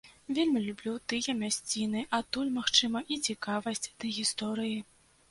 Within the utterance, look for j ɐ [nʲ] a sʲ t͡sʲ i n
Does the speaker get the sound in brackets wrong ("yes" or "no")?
yes